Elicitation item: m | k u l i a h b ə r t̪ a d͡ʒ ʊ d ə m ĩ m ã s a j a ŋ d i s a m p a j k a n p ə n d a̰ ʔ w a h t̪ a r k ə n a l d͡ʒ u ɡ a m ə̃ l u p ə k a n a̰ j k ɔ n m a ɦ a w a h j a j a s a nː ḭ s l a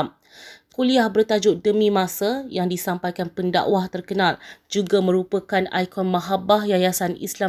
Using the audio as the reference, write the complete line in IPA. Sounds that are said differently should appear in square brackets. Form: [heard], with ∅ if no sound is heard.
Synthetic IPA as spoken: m | k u l i a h b ə r t̪ a d͡ʒ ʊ d ə m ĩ m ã s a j a ŋ d i s a m p a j k a n p ə n d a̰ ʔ w a h t̪ [ə] r k ə n a l d͡ʒ u ɡ a m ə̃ [ɾ] u p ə k a n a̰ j k ɔ n m a ɦ a [b] a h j a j a s a [n] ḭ s l a